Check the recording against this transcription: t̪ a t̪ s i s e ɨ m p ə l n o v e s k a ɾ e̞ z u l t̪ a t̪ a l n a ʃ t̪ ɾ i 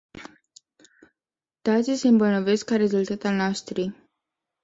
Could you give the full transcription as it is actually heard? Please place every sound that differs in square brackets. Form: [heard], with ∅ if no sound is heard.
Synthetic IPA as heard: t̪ a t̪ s i s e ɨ m [b] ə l n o v e s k a ɾ e̞ z u l t̪ a t̪ a l n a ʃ t̪ ɾ i